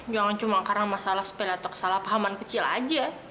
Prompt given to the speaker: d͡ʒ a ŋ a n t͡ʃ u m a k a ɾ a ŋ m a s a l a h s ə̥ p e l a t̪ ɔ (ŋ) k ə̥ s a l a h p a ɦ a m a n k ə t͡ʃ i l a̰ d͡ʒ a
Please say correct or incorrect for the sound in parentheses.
incorrect